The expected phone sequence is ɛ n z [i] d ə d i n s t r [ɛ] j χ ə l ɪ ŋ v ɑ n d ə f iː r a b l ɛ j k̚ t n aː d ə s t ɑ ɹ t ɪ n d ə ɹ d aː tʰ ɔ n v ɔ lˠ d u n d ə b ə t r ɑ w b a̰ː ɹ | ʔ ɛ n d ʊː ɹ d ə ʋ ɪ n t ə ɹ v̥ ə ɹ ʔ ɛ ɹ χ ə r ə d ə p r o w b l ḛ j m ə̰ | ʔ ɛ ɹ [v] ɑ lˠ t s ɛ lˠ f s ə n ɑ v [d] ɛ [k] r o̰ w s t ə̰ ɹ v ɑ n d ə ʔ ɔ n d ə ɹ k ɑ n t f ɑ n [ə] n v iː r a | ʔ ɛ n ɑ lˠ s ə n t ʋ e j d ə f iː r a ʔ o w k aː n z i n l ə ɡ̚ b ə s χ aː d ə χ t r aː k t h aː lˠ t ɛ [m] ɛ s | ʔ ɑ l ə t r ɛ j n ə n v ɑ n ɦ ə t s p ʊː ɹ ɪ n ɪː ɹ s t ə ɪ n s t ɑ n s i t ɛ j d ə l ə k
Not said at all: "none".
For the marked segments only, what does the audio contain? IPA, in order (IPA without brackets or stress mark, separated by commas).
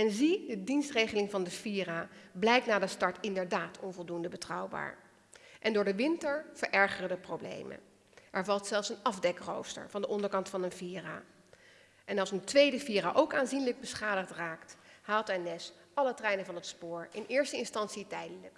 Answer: i, e, v, d, k, ə, n